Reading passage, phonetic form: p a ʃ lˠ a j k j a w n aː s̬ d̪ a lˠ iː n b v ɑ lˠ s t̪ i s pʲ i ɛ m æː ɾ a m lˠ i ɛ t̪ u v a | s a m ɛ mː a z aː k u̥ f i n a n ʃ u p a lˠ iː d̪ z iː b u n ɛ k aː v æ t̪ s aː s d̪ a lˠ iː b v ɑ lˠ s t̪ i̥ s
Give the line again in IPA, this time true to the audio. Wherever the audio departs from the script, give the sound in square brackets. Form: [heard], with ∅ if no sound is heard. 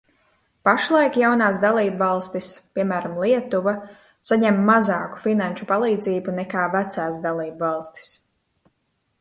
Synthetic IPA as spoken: p a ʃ lˠ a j k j a w n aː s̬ d̪ a lˠ iː [∅] b v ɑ lˠ s t̪ i s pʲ i ɛ m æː ɾ a m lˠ i ɛ t̪ u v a | s a [ɲ] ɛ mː a z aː k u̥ f i n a n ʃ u p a lˠ iː d̪ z iː b u n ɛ k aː v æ t̪ s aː s d̪ a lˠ iː b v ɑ lˠ s t̪ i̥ s